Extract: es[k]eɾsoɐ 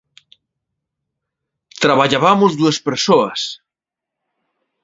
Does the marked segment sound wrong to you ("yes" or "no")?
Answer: yes